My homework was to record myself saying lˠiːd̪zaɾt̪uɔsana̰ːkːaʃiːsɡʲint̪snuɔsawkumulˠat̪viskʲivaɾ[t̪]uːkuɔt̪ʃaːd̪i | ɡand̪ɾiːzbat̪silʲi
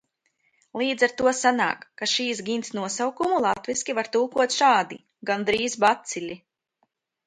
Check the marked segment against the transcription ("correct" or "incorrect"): correct